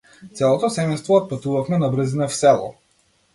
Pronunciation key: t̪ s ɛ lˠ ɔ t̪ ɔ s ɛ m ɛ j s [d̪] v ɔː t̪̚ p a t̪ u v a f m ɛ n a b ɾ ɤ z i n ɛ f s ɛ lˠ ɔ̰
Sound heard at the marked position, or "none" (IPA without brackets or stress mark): t̪